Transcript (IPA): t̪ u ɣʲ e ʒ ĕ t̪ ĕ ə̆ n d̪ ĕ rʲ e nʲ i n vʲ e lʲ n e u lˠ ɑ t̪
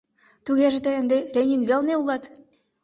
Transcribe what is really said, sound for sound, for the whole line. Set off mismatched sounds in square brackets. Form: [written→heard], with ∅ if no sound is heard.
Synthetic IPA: t̪ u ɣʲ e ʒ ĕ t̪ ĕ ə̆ n d̪ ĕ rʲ e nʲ i n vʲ e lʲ n e u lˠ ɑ t̪